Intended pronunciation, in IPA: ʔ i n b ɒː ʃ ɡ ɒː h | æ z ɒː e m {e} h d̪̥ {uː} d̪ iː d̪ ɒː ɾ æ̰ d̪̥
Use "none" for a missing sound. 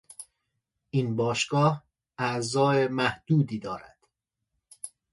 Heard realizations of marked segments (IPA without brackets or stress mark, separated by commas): æ, uː